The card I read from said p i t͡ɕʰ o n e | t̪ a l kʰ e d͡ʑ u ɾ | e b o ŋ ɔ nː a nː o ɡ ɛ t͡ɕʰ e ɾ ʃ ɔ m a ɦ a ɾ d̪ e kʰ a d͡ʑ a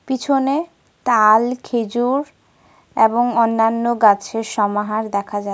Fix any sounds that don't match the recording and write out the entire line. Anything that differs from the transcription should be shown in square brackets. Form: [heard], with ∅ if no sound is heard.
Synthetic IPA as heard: p i t͡ɕʰ o n e | t̪ a l kʰ e d͡ʑ u ɾ | e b o ŋ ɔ nː a nː o ɡ [a] t͡ɕʰ e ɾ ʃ ɔ m a ɦ a ɾ d̪ [ɛ] kʰ a d͡ʑ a